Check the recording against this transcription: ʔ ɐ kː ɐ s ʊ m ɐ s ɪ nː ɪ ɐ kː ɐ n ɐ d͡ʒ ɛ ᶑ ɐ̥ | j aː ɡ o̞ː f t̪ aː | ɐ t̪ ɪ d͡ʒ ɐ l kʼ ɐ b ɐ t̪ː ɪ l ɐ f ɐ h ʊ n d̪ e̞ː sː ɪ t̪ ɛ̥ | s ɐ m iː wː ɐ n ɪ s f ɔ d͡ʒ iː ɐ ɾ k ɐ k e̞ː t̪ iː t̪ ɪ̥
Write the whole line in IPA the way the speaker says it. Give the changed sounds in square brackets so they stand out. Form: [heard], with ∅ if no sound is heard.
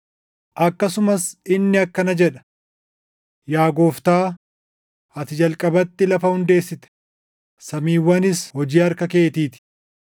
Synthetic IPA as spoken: ʔ ɐ kː ɐ s ʊ m ɐ s ɪ nː ɪ ɐ kː ɐ n ɐ d͡ʒ ɛ ᶑ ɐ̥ | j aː ɡ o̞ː f t̪ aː | ɐ t̪ ɪ d͡ʒ ɐ l kʼ ɐ b ɐ t̪ː ɪ l ɐ f ɐ h ʊ n d̪ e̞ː sː ɪ t̪ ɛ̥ | s ɐ m iː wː ɐ n ɪ s [h] ɔ d͡ʒ iː ɐ ɾ k ɐ k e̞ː t̪ iː t̪ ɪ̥